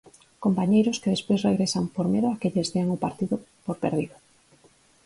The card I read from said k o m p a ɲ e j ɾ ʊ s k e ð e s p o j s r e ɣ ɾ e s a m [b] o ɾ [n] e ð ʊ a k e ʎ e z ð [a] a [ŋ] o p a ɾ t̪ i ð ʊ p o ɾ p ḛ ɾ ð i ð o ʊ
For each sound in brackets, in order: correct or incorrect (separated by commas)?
incorrect, incorrect, incorrect, correct